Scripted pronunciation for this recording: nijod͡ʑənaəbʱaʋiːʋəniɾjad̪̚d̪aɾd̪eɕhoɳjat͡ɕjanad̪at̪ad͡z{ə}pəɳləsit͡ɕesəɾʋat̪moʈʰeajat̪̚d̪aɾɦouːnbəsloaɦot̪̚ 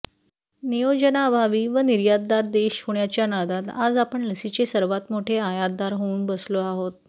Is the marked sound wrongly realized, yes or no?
yes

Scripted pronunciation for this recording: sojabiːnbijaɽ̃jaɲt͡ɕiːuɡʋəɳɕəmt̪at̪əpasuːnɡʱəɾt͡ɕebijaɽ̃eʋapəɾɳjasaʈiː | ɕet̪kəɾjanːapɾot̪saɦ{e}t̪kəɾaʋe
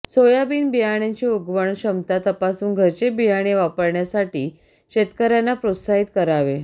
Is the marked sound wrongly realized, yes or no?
yes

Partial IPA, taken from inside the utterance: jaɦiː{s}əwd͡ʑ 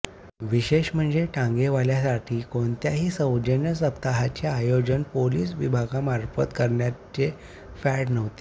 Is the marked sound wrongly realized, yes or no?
no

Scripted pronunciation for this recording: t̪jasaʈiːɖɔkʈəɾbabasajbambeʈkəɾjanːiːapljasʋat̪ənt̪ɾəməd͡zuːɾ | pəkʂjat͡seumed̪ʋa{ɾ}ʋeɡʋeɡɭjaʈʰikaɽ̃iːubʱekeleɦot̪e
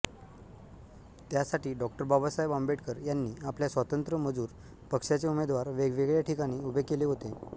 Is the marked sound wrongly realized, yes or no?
no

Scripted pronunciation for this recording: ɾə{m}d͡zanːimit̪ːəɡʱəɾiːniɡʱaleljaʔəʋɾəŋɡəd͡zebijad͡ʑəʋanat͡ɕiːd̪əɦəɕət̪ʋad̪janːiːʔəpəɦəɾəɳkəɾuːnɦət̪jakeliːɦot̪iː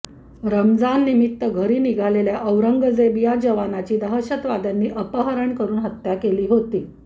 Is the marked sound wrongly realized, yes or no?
no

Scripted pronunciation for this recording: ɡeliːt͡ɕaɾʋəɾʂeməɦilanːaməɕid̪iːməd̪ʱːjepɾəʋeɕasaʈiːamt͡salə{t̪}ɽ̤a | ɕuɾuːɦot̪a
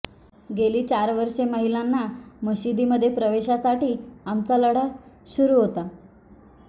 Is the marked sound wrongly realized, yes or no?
yes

